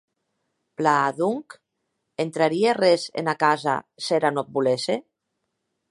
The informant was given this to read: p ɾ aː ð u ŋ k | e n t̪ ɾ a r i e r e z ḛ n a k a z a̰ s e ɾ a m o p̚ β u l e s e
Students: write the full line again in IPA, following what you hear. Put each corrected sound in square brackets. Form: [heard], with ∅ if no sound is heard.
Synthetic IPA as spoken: p [l] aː ð u ŋ k | e n t̪ ɾ a [ɾ] i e r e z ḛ n a k a z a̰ s e ɾ a [n] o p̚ [b] u l e s e